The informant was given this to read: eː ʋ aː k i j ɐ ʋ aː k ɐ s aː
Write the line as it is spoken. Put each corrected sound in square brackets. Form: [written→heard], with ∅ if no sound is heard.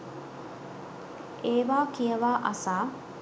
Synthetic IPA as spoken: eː ʋ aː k i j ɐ ʋ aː [k→ʔ] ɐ s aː